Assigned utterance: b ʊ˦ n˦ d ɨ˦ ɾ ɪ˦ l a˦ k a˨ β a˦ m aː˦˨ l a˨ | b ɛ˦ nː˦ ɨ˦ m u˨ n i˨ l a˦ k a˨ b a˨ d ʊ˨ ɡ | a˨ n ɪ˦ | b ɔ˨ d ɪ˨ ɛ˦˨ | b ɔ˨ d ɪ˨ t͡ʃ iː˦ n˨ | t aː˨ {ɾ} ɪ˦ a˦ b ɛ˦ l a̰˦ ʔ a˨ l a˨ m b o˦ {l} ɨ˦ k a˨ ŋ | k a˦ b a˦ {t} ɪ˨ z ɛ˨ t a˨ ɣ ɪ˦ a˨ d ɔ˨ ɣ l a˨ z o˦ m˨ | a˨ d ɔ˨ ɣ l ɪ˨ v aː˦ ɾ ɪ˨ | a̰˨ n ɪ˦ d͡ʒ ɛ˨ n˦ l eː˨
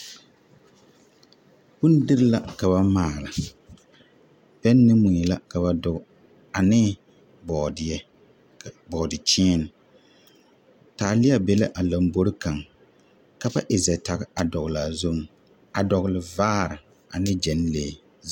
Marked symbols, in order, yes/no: no, no, no

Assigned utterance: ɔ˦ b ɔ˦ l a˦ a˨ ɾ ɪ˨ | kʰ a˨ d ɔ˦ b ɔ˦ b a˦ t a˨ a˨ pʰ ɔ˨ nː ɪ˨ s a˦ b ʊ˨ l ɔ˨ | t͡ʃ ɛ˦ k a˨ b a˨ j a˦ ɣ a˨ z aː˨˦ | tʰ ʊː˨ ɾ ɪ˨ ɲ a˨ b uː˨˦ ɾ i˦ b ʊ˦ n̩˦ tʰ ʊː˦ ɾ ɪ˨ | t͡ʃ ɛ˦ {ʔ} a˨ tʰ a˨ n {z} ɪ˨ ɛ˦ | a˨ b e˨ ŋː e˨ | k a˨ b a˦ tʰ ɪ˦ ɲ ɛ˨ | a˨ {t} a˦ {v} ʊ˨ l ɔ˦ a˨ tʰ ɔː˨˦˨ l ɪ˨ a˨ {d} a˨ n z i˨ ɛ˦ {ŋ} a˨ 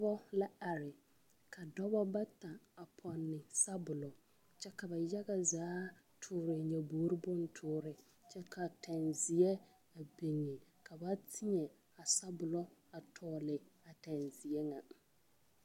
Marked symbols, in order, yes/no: no, yes, no, no, no, yes

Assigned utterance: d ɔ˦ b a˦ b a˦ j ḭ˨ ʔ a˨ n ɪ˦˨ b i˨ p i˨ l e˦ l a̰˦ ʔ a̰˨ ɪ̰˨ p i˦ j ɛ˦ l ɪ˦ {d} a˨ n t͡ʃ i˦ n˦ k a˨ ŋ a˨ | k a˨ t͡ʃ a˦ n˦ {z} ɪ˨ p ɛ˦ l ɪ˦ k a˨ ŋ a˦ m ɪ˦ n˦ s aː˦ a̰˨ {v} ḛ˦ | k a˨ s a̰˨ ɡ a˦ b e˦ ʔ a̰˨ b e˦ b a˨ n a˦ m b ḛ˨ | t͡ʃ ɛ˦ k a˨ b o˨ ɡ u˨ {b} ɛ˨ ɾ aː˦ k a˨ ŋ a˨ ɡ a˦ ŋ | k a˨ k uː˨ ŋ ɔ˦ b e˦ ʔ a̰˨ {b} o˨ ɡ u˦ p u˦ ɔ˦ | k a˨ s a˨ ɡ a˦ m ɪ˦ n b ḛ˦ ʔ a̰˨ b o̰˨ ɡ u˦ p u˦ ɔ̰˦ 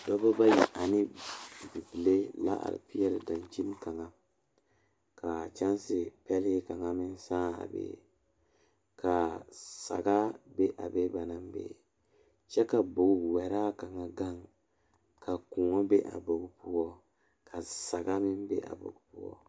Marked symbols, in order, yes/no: yes, no, no, no, yes

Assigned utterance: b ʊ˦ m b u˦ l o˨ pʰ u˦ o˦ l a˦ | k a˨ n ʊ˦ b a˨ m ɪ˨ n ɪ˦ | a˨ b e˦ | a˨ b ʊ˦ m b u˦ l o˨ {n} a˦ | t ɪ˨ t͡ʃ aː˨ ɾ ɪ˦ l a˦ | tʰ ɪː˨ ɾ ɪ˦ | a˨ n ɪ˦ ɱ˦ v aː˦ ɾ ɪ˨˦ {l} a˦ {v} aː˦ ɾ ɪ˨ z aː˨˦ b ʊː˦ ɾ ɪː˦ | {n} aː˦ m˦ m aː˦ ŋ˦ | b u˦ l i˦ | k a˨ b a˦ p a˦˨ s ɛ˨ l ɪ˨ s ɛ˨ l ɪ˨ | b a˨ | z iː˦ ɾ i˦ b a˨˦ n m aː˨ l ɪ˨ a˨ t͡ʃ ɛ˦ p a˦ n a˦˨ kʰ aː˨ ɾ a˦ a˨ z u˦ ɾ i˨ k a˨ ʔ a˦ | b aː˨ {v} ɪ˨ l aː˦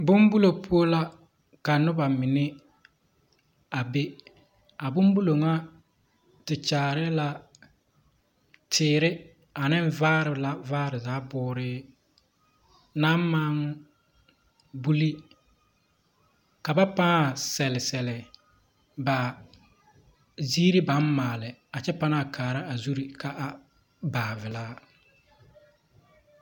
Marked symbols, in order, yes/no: no, yes, yes, yes, yes

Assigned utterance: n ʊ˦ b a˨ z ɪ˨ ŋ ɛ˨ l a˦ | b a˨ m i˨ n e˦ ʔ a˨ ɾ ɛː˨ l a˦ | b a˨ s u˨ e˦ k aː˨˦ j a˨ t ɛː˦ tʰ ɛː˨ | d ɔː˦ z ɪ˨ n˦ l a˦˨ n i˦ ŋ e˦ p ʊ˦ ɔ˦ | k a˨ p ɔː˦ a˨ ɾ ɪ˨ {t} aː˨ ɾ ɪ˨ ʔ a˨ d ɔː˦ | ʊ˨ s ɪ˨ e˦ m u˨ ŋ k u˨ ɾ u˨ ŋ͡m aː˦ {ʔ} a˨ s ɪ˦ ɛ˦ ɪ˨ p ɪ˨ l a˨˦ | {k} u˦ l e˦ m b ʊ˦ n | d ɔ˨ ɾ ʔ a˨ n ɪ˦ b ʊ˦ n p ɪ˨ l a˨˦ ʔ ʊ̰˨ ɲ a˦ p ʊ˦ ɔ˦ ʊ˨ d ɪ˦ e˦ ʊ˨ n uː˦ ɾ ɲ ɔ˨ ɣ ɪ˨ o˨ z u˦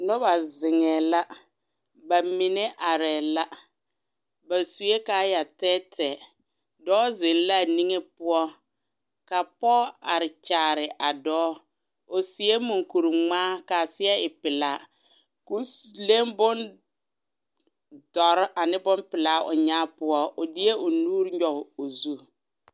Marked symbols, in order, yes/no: no, no, yes

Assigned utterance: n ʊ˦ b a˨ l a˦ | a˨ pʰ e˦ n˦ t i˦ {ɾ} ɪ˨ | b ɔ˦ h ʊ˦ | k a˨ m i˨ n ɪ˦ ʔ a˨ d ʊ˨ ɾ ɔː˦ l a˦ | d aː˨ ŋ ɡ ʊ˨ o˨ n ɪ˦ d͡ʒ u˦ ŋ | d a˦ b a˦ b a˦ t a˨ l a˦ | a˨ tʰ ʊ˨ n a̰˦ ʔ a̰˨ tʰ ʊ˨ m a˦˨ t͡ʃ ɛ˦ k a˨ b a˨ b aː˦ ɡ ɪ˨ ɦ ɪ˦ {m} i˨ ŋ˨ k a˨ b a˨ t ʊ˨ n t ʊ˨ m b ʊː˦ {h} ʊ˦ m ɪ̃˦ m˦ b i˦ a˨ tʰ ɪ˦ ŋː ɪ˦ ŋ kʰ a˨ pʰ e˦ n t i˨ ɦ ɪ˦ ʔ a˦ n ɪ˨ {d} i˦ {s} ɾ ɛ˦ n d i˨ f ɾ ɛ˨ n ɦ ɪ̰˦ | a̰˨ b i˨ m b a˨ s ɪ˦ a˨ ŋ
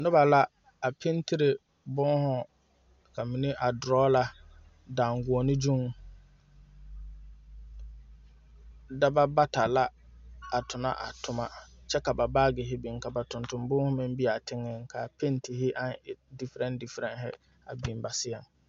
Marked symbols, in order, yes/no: yes, no, yes, yes, no

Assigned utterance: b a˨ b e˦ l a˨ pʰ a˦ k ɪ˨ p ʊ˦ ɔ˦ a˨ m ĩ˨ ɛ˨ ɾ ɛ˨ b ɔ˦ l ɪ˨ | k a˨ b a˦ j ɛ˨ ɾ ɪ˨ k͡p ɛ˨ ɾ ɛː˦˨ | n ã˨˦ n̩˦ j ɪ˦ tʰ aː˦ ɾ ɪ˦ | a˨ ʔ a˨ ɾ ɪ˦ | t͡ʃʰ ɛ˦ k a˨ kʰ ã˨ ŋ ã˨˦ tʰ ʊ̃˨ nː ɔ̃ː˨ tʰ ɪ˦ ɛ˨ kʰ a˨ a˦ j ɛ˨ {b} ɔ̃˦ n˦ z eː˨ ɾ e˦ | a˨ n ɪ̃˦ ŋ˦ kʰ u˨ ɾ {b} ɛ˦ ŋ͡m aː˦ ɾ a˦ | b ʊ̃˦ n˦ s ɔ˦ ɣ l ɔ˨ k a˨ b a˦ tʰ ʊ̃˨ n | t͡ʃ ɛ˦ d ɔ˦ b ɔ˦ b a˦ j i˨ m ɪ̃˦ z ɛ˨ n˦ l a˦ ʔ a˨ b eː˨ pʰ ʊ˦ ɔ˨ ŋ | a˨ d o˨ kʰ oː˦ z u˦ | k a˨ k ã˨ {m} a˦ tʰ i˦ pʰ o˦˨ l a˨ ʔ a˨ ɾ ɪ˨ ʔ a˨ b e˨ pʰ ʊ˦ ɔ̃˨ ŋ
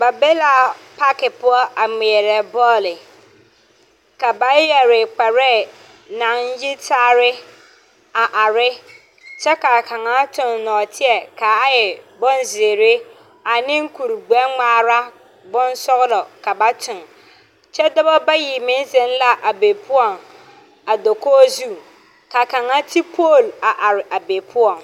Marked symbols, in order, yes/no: yes, no, no

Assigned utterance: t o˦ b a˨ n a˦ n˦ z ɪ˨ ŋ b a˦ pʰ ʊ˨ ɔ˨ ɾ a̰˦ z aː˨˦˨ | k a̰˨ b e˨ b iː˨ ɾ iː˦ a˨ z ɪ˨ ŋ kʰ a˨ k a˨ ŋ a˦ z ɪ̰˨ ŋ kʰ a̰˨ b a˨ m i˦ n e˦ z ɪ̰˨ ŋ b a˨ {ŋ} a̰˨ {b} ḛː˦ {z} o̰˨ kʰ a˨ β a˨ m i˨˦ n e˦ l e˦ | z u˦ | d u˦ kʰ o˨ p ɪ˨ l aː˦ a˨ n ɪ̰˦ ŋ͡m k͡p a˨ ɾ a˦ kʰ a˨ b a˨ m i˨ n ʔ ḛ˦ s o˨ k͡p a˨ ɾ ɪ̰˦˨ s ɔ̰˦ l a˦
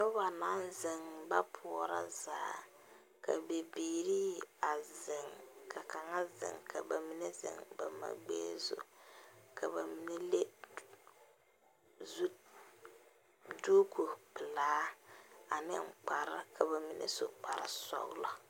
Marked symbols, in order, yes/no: no, no, yes

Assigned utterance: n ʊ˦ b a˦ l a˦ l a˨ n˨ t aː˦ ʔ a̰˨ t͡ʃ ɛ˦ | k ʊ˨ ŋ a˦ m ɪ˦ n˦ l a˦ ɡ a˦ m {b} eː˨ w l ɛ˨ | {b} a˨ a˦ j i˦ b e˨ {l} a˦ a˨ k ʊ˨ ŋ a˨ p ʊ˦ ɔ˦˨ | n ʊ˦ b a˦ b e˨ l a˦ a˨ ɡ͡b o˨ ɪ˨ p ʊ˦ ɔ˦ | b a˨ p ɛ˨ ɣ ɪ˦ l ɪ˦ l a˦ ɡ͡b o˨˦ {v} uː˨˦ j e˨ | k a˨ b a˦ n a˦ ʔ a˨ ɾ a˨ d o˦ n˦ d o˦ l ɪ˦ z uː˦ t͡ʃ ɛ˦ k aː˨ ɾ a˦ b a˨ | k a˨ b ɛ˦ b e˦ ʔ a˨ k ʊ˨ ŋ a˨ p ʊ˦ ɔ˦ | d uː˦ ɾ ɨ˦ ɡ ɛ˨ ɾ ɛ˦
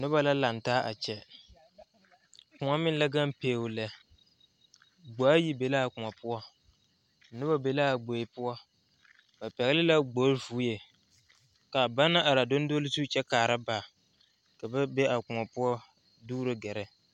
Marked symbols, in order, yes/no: no, no, yes, yes

